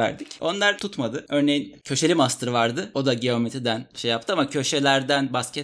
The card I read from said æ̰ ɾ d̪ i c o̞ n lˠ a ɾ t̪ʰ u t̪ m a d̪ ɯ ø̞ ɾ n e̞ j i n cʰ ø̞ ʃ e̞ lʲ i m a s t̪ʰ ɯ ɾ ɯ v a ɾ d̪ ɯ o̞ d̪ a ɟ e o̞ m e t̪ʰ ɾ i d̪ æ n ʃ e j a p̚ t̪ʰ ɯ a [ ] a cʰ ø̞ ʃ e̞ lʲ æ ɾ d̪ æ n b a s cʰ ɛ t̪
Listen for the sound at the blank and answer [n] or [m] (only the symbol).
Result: m